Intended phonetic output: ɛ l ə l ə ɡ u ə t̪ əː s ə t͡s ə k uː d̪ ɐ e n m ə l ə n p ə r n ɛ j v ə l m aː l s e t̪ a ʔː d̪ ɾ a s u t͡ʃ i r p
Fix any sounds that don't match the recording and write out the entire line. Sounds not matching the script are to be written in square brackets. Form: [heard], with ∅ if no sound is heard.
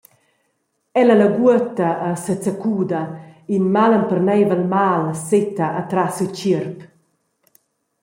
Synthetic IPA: ɛ l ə l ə ɡ u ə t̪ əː s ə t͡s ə k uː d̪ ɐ [i] n m [a] l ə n p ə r n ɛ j v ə l m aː l s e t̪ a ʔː [t̪] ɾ a s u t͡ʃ i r p